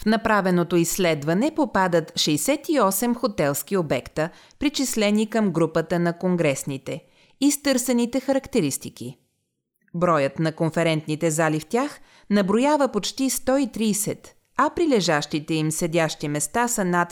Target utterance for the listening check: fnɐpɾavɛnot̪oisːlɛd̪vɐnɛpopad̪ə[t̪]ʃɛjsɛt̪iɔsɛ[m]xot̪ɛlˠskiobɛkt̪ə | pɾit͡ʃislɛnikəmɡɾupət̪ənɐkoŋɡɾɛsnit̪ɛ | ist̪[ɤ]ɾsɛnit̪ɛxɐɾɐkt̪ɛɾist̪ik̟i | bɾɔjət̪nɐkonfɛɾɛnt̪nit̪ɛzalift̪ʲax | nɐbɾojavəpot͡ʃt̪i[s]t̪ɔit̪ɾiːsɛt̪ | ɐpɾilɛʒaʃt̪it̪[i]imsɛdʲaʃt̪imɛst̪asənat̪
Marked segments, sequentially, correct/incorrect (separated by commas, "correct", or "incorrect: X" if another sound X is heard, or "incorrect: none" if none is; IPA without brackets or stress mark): correct, correct, correct, correct, incorrect: ɛ